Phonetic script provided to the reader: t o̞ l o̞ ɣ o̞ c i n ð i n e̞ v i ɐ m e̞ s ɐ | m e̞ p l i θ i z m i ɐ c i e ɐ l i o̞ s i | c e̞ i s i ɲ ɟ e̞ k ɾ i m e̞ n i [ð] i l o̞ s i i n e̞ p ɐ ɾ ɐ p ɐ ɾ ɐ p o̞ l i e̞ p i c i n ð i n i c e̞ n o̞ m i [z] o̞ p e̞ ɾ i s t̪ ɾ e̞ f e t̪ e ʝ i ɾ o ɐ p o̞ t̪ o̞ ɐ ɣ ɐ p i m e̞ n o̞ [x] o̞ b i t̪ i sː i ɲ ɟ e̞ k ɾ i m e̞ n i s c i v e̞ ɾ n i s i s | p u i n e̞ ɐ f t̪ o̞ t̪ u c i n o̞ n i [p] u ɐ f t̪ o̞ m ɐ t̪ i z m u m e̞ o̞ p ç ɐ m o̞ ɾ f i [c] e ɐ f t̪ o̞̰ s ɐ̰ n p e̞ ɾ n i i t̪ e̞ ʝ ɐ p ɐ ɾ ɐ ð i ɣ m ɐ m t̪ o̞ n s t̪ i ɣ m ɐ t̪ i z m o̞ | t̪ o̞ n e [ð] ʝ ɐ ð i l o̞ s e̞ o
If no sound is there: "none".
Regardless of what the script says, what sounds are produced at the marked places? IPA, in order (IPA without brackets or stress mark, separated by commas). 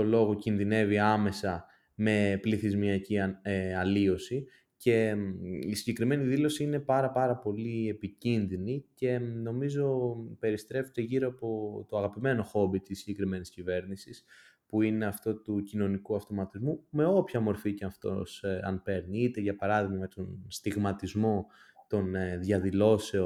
ð, z, x, k, c, ð